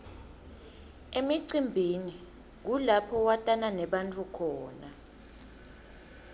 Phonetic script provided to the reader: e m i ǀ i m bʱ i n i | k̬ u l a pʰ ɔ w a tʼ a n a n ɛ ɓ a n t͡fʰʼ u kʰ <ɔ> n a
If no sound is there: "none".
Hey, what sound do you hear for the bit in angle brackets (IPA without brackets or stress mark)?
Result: ɔː